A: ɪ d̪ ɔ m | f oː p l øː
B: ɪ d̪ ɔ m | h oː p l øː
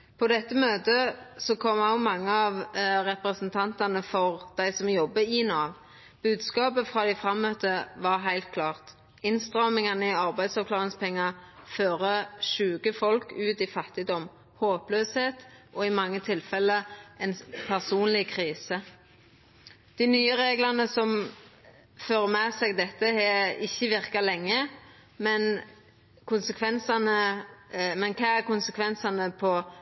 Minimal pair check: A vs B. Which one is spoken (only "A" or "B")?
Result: B